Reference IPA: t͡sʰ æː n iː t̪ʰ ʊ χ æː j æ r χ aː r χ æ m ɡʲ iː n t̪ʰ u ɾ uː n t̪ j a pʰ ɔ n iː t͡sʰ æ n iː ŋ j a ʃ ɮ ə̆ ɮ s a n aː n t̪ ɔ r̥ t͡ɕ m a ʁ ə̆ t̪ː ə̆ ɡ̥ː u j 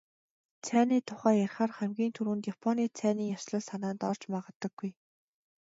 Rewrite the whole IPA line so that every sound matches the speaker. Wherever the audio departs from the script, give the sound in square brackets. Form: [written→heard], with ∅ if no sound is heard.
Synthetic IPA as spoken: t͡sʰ æː n iː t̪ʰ ʊ χ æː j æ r χ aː r χ æ m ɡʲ iː n t̪ʰ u ɾ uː n t̪ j a pʰ ɔ n iː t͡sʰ [æ→æː] n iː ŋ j a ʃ ɮ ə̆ ɮ s a n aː n t̪ ɔ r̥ t͡ɕ m a ʁ ə̆ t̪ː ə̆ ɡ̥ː u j